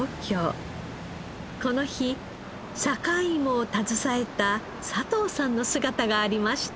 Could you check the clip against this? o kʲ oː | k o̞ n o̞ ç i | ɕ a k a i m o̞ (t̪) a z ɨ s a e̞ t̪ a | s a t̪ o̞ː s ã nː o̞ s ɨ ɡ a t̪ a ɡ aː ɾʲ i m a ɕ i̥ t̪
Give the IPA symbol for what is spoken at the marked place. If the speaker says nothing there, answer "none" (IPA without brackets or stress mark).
t̪